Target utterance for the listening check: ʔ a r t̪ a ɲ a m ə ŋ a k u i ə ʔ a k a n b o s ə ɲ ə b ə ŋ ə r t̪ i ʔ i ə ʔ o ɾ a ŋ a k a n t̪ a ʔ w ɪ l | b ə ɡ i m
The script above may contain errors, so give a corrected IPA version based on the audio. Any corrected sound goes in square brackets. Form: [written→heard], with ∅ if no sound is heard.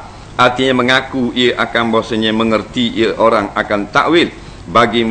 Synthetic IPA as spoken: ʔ a r t̪ [a→i] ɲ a m ə ŋ a k u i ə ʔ a k a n b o s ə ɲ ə [b→m] ə ŋ ə r t̪ i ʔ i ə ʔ o ɾ a ŋ a k a n t̪ a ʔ w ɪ l | b [ə→a] ɡ i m